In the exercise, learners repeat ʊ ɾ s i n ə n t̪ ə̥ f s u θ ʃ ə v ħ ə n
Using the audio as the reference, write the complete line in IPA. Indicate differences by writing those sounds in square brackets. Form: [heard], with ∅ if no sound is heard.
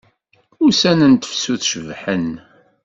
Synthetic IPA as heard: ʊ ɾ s [æ] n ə n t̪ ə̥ f s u θ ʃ ə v ħ ə n

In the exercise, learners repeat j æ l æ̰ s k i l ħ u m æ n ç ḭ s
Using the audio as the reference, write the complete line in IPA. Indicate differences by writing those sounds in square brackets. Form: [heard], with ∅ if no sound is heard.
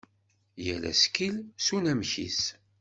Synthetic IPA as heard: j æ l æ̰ s k i l [s] u [n] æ [m] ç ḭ s

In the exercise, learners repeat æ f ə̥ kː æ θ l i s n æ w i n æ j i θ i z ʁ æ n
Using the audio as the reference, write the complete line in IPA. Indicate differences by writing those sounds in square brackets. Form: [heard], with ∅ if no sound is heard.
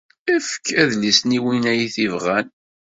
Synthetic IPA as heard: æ f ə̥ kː æ [ð] l i s n [i] w i n æ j i θ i [v] ʁ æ n

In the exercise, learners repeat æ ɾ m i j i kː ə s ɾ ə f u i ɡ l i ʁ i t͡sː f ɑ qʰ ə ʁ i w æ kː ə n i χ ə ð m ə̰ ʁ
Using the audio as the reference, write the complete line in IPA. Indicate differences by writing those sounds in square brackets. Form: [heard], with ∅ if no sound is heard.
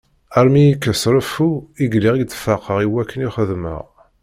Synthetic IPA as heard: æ ɾ m i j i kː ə s ɾ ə f u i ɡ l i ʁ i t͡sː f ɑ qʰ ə ʁ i w æ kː ə n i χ ə ð m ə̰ ʁ

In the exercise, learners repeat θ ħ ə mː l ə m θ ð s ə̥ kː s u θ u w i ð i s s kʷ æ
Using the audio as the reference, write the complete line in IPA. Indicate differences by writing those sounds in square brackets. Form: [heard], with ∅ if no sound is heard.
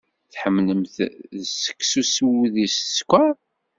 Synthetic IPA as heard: θ ħ ə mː l ə m θ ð s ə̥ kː s u [s] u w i ð i s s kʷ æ

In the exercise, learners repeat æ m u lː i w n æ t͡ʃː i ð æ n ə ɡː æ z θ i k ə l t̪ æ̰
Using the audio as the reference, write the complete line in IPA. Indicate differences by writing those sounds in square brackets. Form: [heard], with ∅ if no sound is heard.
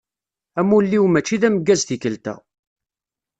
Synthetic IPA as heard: æ m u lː i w [m] æ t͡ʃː i ð æ [m] ə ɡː æ z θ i k ə l t̪ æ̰

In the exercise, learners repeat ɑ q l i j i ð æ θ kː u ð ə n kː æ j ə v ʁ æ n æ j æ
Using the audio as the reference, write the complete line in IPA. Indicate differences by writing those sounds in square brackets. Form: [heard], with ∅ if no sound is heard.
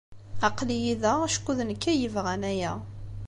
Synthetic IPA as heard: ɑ q l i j i ð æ [ʃ] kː u ð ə n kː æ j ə v ʁ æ n æ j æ

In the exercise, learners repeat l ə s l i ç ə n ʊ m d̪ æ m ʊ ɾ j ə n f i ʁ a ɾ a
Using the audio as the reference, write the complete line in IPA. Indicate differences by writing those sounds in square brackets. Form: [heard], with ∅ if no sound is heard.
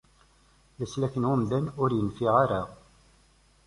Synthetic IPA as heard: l ə s l [æ] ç ə n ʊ m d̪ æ [n] ʊ ɾ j ə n f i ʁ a ɾ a

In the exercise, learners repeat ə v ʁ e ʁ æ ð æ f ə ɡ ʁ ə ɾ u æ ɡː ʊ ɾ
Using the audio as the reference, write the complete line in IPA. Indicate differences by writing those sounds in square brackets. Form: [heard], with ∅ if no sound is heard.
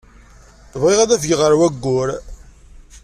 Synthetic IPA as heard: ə v ʁ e ʁ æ ð æ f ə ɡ ʁ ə ɾ [w] æ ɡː ʊ ɾ

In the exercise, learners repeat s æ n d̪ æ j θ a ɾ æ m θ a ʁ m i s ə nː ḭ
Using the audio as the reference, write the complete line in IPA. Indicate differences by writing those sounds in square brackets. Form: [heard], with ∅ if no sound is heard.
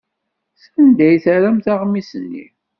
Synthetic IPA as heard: s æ n d̪ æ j θ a ɾ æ m θ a ʁ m i s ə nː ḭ

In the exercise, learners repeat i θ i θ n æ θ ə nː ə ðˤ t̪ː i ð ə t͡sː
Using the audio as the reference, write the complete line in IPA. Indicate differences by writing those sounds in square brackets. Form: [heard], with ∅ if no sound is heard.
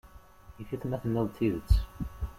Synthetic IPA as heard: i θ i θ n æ θ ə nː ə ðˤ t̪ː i ð ə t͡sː

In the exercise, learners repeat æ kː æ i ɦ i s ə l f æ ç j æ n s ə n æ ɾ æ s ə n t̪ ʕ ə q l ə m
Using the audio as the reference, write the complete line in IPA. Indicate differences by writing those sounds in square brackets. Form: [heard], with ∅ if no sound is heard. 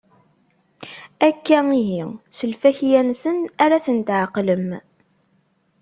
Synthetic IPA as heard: æ kː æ i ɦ i s ə l f æ ç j æ n s ə n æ ɾ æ [θ] ə n t̪ ʕ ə q l ə m

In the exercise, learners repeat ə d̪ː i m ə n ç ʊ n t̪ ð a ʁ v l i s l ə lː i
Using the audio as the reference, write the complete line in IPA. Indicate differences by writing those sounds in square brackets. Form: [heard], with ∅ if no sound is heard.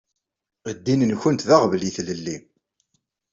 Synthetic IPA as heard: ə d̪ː i [n] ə n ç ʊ n t̪ ð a ʁ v l i [θ] l ə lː i

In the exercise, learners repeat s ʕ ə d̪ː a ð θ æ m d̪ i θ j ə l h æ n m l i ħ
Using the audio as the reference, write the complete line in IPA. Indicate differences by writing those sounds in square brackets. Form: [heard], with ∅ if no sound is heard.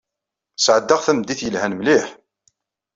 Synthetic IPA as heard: s ʕ ə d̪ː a [ʁ] θ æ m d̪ i θ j ə l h æ n m l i ħ

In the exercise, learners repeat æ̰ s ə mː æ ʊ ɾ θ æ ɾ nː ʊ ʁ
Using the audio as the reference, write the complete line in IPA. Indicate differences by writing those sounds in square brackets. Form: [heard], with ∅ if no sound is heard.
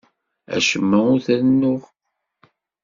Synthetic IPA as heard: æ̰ [ʃ] ə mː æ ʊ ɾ θ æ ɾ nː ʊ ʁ

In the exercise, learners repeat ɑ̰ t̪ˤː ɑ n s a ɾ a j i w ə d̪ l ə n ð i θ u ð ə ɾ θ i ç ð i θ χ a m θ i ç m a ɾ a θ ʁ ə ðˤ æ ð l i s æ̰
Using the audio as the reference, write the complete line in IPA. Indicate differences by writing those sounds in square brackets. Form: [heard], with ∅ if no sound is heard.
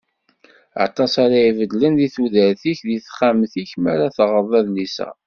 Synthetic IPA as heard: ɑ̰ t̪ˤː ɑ [∅] s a ɾ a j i [v] ə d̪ l ə n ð i θ u ð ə ɾ θ i ç ð i θ χ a m θ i ç m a ɾ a θ ʁ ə ðˤ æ ð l i s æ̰

